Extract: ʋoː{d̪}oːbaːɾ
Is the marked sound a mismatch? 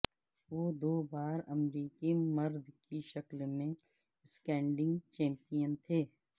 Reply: no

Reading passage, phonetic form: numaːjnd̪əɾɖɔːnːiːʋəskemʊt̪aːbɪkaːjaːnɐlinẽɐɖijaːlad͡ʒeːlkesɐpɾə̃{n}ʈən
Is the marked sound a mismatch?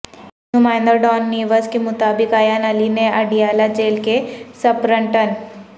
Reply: yes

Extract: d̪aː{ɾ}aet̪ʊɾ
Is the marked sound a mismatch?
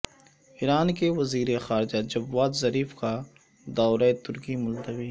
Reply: no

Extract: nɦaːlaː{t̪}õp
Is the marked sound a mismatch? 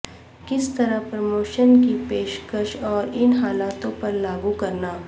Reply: no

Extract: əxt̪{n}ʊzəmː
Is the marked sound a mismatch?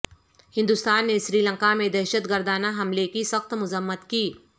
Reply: yes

